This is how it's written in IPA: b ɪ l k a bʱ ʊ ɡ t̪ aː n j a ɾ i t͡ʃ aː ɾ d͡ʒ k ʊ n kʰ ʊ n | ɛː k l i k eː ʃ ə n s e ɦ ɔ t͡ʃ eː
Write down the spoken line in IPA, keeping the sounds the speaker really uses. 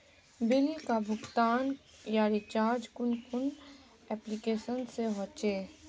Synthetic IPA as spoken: b ɪ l k a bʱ ʊ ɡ t̪ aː n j a ɾ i t͡ʃ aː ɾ d͡ʒ k ʊ n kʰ ʊ n | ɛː p l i k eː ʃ ə n s e ɦ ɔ t͡ʃ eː